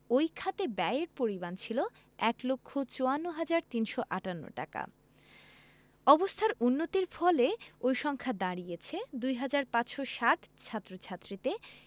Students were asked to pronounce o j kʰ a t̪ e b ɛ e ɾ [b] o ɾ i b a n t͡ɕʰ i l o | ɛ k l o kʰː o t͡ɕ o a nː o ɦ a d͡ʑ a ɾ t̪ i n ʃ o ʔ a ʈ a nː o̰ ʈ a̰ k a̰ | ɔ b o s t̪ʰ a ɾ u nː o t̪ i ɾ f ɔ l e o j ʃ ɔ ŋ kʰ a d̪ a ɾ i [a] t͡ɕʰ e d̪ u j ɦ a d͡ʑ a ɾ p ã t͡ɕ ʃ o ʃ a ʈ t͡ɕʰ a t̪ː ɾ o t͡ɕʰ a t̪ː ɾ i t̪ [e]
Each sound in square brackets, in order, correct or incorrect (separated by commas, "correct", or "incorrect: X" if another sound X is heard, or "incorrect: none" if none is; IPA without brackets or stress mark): incorrect: p, incorrect: e, correct